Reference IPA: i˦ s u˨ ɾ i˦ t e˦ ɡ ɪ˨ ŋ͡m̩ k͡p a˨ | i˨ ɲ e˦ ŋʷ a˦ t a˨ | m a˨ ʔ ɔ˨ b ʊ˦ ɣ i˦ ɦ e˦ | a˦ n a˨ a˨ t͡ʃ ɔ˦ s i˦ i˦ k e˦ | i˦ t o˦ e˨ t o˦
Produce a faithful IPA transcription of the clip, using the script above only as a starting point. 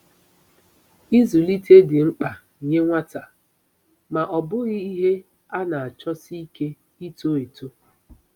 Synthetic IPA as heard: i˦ z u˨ l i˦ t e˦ d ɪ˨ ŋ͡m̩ k͡p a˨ | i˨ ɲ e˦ ŋʷ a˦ t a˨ | m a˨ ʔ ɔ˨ b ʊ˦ ɣ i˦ ɦ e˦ | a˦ n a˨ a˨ t͡ʃ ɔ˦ s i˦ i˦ k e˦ | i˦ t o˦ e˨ t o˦